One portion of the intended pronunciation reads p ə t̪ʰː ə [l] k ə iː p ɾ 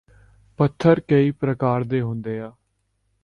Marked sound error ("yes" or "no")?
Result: yes